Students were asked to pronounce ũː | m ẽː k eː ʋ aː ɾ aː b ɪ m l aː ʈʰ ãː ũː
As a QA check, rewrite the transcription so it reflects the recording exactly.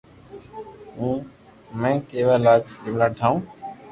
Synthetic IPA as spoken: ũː | m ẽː k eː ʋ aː l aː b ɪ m l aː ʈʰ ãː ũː